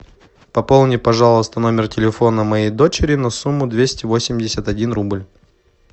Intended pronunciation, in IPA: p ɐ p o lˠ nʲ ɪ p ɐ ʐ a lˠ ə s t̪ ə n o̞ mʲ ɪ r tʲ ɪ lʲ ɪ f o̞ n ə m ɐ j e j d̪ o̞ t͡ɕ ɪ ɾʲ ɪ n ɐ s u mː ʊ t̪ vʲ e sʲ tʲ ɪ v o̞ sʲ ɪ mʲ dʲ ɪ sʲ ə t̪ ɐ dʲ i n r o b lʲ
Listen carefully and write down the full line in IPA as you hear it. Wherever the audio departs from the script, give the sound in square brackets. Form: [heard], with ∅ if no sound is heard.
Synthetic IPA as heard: p ɐ p o lˠ nʲ ɪ p ɐ ʐ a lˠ ə s t̪ ə n o̞ mʲ ɪ r tʲ ɪ lʲ ɪ f o̞ n ə m ɐ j e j d̪ o̞ t͡ɕ ɪ ɾʲ ɪ n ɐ s u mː ʊ [d̪] vʲ e sʲ tʲ ɪ v o̞ sʲ ɪ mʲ dʲ ɪ sʲ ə t̪ ɐ dʲ i n r [u] b lʲ